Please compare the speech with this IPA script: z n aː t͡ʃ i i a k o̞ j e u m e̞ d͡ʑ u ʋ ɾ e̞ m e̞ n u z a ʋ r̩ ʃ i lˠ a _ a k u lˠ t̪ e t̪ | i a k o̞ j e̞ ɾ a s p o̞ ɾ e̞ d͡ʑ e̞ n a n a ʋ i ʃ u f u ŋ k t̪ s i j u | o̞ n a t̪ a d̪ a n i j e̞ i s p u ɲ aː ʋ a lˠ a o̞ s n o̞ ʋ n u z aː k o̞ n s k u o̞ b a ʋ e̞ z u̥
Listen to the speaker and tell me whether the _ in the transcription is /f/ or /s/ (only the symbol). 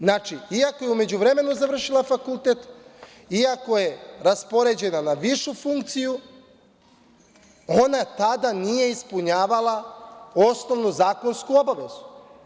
f